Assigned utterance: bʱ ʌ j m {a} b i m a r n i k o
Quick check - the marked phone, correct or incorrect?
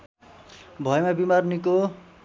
correct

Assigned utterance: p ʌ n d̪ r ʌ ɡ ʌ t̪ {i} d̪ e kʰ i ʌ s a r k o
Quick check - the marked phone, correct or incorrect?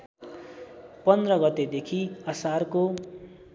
incorrect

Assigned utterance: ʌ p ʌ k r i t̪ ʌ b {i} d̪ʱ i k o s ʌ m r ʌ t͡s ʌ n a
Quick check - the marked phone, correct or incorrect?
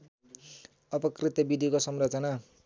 correct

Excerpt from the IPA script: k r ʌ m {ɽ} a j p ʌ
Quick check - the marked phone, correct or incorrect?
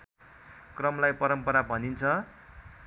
incorrect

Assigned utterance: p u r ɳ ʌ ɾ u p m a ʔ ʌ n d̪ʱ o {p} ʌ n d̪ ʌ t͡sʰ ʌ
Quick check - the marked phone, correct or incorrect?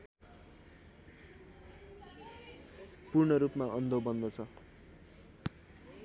incorrect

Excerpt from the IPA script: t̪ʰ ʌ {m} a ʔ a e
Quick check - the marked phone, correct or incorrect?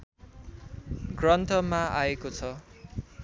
correct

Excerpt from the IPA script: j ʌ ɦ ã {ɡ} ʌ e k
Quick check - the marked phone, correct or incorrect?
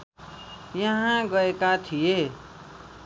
correct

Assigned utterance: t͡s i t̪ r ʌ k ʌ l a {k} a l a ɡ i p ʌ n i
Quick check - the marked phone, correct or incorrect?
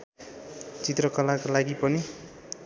correct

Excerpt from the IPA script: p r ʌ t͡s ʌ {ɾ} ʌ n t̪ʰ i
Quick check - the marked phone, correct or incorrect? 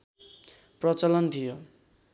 incorrect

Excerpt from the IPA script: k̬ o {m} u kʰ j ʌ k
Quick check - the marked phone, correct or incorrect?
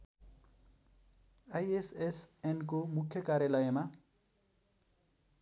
correct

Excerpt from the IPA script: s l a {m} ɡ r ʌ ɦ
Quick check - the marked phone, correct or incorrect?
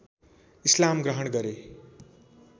correct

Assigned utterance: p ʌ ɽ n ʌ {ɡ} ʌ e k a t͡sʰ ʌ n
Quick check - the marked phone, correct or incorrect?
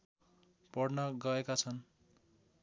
correct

